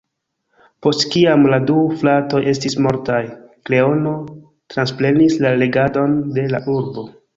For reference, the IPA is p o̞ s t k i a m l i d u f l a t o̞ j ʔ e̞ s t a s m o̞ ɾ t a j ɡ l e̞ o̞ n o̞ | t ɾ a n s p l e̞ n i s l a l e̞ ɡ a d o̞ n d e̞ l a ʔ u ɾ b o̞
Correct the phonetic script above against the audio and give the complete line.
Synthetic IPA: p o̞ s t k i a m l a d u f l a t o̞ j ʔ e̞ s t i s m o̞ ɾ t a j k l e̞ o̞ n o̞ | t ɾ a n s p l e̞ n i s l a l e̞ ɡ a d o̞ n d e̞ l a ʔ u ɾ b o̞